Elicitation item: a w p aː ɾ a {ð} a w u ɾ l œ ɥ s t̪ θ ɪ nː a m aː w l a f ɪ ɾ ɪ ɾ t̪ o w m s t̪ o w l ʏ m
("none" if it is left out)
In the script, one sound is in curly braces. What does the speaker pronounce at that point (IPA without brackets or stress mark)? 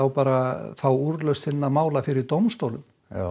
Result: θ